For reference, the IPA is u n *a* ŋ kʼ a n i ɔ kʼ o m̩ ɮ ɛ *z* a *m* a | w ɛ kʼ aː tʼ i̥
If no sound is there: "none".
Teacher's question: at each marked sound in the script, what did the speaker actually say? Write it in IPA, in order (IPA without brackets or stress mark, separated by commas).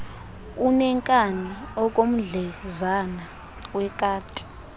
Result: ɛ, z, n